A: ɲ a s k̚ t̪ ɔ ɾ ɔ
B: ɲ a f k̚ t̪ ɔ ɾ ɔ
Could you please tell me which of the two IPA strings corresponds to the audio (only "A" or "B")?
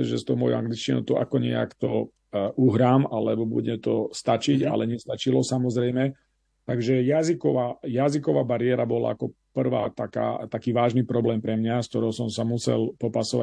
A